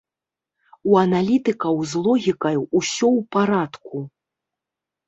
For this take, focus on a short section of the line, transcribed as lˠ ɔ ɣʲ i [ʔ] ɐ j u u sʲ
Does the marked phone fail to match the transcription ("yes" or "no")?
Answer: yes